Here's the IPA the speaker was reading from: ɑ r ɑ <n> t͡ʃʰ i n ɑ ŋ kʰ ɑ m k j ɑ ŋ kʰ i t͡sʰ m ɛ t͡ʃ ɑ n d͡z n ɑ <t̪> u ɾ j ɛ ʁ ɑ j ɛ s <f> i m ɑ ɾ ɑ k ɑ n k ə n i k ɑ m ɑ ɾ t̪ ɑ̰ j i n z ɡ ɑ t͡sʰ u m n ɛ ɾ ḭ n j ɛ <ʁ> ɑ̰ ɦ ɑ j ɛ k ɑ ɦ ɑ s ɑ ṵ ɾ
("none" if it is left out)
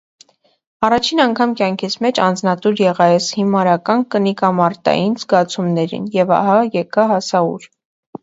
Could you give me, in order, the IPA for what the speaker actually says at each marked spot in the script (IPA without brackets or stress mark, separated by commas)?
none, t̪, h, v